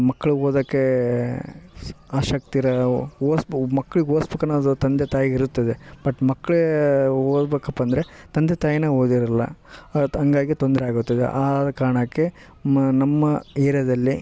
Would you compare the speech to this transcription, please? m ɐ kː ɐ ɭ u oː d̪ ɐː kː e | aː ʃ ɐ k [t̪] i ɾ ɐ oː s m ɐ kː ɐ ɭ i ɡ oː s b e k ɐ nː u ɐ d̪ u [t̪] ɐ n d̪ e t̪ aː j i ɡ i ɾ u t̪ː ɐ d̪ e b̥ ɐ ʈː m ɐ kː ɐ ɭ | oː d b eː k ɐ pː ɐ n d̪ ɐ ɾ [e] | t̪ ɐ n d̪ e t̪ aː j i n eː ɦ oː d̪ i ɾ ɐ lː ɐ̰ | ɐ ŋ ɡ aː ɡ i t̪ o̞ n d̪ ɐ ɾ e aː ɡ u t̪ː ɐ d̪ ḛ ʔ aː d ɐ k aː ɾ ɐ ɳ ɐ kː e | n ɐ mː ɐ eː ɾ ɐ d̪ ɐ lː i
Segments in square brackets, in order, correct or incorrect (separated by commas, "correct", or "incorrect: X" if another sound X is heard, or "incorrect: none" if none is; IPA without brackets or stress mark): correct, correct, correct